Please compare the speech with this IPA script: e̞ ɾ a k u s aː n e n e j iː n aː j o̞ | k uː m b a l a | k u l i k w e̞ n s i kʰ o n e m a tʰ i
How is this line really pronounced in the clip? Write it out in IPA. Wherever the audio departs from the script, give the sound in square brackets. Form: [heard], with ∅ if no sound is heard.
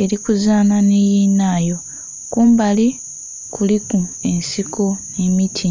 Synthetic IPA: e̞ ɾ [i] k u [z] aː n [a] n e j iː n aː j o̞ | k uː m b a l [i] | k u l i k [u] e̞ n s i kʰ o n e m [i] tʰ i